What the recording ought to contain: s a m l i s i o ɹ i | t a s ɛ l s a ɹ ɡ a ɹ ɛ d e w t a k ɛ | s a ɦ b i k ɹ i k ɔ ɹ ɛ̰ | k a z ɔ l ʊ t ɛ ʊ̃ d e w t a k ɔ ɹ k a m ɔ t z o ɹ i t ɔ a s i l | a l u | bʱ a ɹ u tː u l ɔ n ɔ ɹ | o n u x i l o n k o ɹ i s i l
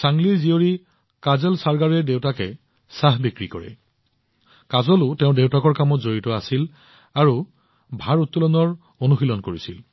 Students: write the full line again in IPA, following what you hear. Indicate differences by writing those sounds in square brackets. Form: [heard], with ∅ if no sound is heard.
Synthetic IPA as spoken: s a [ŋ] l i [z] i o ɹ i | [k] a [z] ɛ l s a ɹ ɡ a ɹ ɛ d e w t a k ɛ | s a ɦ b i k ɹ i k ɔ ɹ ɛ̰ | k a z ɔ l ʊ t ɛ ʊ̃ d e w t a k ɔ ɹ k a m ɔ t z o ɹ i t ɔ a s i l | a [ɹ] u | bʱ a ɹ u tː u l ɔ n ɔ ɹ | o n u x i l [ɔ] n k o ɹ i s i l